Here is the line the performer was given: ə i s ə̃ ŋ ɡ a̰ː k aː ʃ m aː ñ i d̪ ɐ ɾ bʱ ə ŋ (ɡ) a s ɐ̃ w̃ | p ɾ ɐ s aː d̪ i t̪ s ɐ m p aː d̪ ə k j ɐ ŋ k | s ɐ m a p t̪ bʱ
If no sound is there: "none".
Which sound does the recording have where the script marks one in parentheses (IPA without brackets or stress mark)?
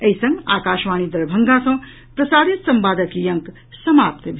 ɡ